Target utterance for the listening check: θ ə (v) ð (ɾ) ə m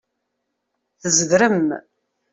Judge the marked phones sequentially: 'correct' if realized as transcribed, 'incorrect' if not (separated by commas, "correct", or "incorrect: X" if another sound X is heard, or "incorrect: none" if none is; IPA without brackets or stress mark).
incorrect: z, correct